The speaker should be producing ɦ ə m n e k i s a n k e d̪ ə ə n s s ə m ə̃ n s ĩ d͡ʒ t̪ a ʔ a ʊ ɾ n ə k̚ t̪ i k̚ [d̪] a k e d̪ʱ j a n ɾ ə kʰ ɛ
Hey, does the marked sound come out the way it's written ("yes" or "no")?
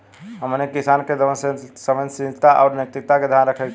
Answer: no